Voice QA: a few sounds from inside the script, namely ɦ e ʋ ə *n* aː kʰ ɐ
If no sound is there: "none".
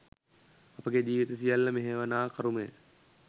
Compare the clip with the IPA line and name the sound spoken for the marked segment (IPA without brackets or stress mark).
n